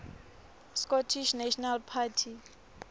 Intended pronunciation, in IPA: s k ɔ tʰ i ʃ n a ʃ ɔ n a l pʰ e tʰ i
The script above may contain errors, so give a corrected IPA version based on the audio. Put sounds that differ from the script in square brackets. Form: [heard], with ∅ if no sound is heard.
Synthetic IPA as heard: s k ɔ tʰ i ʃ n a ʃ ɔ n a l pʰ [a] tʰ i